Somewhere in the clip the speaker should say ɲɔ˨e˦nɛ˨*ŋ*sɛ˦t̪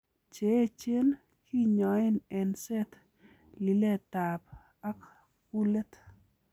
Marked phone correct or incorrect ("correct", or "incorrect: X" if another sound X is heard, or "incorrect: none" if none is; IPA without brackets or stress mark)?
incorrect: n